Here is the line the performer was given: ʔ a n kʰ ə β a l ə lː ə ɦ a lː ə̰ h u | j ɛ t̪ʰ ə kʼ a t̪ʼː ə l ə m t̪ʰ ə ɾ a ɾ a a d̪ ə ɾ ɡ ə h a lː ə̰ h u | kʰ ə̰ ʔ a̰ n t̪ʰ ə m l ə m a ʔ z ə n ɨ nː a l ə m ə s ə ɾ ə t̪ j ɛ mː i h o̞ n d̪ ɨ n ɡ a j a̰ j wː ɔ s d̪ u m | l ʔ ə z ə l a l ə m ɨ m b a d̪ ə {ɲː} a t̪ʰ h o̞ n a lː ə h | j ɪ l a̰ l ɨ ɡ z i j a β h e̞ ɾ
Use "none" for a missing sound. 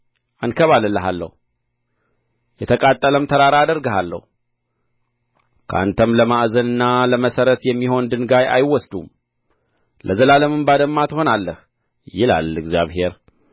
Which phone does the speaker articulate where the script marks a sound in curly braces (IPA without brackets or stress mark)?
mː